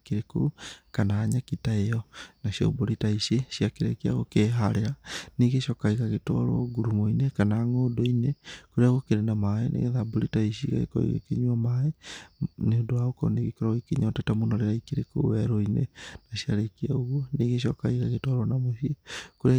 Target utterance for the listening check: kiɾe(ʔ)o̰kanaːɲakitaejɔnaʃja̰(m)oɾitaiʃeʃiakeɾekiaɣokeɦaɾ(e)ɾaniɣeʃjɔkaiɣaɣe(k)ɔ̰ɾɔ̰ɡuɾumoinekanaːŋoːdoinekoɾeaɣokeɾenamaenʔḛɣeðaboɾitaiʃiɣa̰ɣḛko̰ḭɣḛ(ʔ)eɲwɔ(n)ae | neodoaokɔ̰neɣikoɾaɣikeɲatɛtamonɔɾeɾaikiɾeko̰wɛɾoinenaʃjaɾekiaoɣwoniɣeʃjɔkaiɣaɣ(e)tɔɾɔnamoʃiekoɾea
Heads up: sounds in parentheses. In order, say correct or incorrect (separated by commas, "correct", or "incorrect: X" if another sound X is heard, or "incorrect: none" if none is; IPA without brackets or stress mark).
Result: incorrect: k, incorrect: b, correct, incorrect: t, incorrect: k, incorrect: m, correct